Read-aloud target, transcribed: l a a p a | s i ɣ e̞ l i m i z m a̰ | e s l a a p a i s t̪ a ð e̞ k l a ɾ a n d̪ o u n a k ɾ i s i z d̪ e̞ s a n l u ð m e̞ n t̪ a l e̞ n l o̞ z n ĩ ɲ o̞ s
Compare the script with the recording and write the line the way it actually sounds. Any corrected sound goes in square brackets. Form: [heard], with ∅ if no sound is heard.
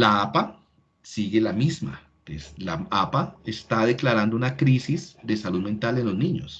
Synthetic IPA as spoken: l a a p a | s i ɣ e̞ l [a] m i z m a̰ | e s l a a p a [e] s t̪ a ð e̞ k l a ɾ a n d̪ o u n a k ɾ i s i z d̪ e̞ s a [∅] l u ð m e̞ n t̪ a l e̞ n l o̞ z n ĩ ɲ o̞ s